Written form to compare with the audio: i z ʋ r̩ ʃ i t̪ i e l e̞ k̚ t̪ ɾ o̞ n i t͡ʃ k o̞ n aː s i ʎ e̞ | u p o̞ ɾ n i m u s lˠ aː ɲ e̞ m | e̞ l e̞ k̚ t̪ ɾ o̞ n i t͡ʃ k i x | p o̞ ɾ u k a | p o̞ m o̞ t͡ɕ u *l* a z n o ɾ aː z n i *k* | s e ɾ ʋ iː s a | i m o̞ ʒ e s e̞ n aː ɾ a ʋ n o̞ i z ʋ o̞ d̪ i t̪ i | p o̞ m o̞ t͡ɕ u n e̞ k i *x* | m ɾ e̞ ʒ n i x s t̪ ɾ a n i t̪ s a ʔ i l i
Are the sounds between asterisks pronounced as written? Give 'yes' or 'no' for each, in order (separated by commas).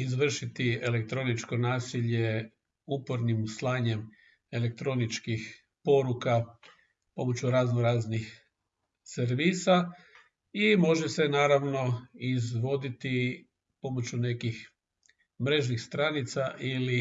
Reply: no, no, yes